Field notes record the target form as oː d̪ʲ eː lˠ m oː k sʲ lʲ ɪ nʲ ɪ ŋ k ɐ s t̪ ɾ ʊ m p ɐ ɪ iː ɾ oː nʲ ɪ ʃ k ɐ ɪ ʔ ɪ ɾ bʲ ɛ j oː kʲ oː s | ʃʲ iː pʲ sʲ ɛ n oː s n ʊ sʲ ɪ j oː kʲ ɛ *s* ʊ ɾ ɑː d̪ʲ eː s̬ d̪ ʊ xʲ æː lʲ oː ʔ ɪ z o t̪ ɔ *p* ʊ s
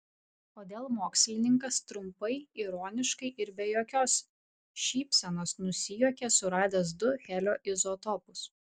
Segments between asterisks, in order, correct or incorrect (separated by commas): correct, correct